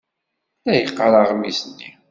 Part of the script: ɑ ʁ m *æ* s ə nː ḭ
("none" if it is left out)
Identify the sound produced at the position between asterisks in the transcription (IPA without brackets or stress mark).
i